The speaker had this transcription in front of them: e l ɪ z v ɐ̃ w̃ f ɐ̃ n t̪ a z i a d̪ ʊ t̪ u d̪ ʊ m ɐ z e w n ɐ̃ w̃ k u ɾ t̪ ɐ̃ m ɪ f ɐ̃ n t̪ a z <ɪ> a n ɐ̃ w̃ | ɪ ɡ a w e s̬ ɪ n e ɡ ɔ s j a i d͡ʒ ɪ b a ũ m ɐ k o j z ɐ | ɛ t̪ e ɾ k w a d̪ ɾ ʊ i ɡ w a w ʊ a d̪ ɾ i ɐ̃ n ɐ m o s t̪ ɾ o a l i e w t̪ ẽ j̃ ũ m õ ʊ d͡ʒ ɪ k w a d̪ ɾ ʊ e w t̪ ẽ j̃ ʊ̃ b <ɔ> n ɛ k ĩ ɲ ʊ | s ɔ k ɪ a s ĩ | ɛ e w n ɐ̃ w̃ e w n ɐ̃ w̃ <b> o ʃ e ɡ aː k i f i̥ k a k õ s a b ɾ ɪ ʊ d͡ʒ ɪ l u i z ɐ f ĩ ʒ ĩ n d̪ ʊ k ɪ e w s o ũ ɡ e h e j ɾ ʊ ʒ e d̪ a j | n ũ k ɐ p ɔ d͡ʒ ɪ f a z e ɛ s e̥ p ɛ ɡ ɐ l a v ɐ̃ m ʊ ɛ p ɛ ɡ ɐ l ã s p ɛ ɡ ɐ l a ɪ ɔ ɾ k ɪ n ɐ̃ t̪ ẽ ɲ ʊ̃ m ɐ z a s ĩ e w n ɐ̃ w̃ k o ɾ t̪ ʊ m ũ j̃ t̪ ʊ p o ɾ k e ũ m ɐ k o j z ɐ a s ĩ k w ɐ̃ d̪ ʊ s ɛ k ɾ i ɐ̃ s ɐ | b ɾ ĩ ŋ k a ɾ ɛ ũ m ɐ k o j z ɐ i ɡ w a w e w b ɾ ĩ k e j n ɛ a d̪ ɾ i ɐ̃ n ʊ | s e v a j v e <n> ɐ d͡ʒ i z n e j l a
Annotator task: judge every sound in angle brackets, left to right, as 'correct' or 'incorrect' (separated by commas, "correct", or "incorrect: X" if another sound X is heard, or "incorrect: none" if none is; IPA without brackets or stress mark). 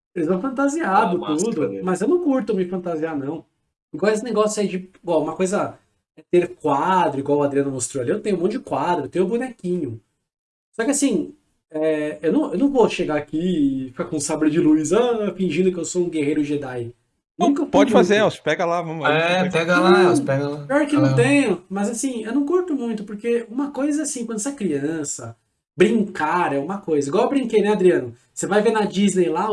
incorrect: i, incorrect: u, incorrect: v, correct